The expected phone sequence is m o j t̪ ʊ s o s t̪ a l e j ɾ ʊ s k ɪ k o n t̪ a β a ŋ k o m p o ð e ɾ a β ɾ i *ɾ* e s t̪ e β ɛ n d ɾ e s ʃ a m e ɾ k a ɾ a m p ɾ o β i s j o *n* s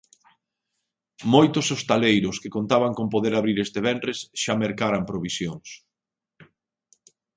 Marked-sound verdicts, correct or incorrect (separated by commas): correct, incorrect